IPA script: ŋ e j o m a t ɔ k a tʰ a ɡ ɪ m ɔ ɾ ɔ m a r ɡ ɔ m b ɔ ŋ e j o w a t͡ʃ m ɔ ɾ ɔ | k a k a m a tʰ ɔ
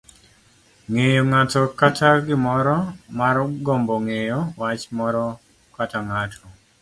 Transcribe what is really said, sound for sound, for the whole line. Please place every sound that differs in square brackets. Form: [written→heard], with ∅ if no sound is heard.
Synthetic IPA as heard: ŋ e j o [m→ŋ] a t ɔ k a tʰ a ɡ ɪ m ɔ ɾ ɔ m a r ɡ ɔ m b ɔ ŋ e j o w a t͡ʃ m ɔ ɾ ɔ | k a [k→t] a [m→ŋ] a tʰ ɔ